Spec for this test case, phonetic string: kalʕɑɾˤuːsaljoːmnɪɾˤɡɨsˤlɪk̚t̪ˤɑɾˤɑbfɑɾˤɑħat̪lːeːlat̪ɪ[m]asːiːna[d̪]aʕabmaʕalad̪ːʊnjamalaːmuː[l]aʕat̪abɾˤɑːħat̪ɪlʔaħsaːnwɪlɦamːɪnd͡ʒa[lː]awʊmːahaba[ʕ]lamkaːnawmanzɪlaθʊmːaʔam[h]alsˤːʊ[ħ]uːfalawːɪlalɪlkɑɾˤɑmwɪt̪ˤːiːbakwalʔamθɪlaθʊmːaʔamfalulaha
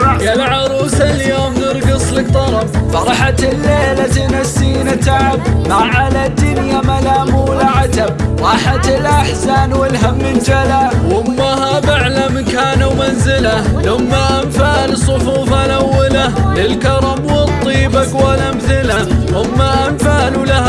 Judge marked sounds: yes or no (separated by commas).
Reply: no, no, yes, no, yes, no, no